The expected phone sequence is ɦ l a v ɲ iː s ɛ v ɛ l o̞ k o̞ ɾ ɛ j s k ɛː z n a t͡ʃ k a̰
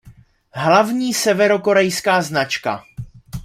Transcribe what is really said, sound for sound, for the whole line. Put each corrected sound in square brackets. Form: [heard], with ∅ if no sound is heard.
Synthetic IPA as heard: ɦ l a v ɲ iː s ɛ v ɛ [ɾ] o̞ k o̞ ɾ ɛ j s k [aː] z n a t͡ʃ k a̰